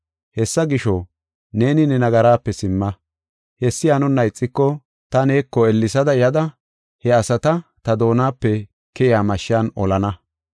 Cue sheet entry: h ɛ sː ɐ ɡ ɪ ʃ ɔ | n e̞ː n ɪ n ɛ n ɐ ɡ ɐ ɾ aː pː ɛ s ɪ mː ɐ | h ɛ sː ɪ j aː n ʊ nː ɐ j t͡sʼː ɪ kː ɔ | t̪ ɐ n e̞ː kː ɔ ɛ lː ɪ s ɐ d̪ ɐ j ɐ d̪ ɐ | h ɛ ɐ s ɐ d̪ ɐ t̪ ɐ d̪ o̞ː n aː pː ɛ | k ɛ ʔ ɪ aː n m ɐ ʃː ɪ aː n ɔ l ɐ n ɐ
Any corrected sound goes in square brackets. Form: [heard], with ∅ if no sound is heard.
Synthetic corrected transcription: h ɛ sː ɐ ɡ ɪ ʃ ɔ | n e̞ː n ɪ n ɛ n ɐ ɡ ɐ ɾ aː pː ɛ s ɪ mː ɐ | h ɛ sː ɪ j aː n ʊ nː ɐ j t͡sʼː ɪ kː ɔ | t̪ ɐ n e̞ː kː ɔ ɛ lː ɪ s ɐ d̪ ɐ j ɐ d̪ ɐ | h ɛ ɐ s ɐ [t̪] ɐ t̪ ɐ d̪ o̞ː n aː pː ɛ | k ɛ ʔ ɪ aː [∅] m ɐ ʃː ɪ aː n ɔ l ɐ n ɐ